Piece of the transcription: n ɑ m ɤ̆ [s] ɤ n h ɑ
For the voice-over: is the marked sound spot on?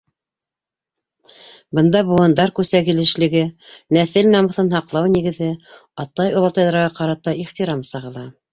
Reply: no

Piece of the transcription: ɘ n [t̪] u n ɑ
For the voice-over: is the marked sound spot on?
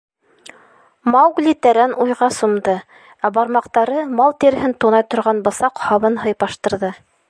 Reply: yes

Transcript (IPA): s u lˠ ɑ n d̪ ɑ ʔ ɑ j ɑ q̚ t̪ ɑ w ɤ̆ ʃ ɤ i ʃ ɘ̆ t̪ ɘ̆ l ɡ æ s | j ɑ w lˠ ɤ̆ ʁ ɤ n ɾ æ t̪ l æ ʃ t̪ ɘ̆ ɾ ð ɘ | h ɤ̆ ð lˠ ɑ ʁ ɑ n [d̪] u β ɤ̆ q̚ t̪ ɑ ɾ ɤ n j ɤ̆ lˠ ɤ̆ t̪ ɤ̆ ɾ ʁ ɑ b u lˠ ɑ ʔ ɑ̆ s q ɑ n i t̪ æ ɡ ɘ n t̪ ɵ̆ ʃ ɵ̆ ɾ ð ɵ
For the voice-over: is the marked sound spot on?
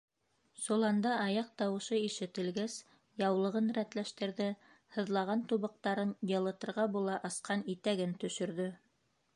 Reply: no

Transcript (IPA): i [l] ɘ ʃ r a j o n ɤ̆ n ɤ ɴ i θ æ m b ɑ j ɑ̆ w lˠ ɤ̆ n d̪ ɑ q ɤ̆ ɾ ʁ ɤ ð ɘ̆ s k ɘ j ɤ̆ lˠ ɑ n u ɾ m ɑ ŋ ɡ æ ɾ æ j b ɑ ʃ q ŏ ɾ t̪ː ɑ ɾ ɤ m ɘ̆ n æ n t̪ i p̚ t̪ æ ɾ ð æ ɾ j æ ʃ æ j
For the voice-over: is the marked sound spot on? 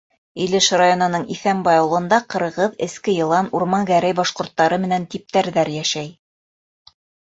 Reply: yes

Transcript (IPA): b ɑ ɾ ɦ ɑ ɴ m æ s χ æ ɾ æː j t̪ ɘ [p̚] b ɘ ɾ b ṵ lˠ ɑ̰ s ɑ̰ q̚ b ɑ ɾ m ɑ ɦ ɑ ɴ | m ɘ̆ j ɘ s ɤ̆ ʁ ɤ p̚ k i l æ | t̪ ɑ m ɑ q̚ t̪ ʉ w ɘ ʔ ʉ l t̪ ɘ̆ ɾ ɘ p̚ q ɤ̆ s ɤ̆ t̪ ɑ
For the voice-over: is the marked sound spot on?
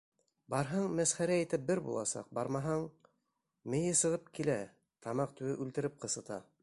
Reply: yes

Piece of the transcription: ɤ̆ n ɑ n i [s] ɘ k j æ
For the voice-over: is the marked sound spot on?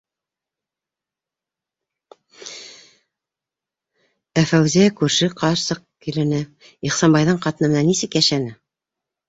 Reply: yes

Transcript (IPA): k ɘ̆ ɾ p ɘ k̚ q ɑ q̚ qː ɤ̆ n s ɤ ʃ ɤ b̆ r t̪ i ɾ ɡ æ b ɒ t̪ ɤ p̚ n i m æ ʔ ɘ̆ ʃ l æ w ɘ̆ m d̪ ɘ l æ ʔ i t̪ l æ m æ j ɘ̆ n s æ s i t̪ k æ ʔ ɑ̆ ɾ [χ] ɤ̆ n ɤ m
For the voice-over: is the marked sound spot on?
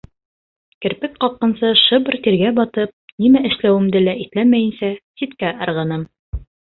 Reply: no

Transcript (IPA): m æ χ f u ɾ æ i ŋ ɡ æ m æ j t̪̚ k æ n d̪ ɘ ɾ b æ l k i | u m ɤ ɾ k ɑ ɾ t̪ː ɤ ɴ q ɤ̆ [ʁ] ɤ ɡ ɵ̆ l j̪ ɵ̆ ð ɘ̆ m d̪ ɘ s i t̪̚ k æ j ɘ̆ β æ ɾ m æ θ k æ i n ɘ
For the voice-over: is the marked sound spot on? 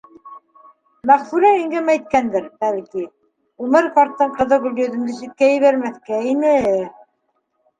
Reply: no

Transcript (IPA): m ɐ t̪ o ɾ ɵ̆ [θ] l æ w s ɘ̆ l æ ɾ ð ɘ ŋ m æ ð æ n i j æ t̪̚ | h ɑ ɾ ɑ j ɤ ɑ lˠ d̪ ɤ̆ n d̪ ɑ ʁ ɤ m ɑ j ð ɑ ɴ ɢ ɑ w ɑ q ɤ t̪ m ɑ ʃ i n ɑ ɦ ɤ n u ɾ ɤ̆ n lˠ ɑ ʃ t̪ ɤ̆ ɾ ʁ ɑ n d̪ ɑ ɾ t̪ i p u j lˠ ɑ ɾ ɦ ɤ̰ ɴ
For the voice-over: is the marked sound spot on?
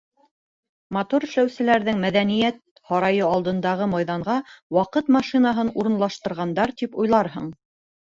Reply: no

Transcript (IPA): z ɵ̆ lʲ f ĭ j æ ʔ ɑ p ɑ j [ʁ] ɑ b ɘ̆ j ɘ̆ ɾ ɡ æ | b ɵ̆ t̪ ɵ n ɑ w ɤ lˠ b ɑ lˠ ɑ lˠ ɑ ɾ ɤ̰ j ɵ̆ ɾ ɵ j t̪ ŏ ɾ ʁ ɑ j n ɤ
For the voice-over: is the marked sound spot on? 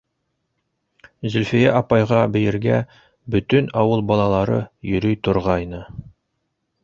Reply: yes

